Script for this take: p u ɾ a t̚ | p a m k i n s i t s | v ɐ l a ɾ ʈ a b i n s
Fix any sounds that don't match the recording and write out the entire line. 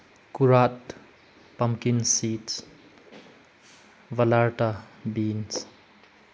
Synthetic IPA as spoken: k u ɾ a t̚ | p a m k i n s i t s | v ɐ l a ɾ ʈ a b i n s